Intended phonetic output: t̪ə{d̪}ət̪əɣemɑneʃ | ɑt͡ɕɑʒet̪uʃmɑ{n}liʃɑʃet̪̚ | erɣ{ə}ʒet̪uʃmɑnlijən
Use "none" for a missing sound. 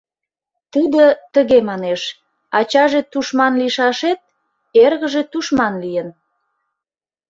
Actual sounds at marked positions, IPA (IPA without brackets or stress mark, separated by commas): d̪, n, ə